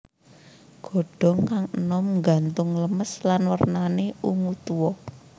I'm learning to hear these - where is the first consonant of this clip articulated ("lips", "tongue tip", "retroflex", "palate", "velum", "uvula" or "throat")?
velum